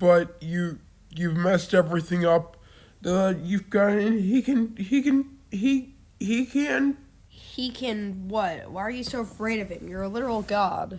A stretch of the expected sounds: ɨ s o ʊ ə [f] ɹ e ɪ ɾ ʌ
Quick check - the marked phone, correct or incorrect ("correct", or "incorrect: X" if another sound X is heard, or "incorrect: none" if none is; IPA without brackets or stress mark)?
correct